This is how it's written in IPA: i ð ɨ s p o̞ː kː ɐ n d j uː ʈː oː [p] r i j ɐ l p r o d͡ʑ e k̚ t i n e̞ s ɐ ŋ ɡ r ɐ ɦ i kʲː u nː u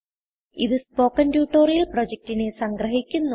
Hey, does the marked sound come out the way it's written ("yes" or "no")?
no